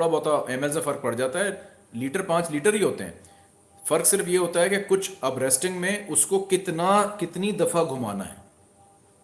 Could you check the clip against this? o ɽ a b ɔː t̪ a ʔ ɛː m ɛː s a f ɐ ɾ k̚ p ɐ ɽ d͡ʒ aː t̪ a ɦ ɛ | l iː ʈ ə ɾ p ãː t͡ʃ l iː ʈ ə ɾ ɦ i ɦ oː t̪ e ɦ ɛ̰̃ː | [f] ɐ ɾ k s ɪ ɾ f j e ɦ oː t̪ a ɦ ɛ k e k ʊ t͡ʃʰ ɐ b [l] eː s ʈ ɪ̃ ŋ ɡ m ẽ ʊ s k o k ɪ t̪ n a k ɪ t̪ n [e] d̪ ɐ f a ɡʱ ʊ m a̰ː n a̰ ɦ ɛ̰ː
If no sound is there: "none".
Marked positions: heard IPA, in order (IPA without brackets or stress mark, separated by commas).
f, ɾ, i